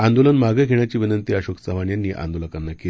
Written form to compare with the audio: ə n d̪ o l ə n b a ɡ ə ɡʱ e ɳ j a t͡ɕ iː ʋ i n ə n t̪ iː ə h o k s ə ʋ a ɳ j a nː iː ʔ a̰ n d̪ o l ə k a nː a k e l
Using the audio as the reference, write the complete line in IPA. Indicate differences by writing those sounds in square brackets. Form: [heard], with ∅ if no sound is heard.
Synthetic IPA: [a] n d̪ o l ə n [m] a ɡ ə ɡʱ e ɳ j a t͡ɕ iː ʋ i n ə n t̪ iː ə [ɕ] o k s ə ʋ a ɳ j a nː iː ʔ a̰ n d̪ o l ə k a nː a k e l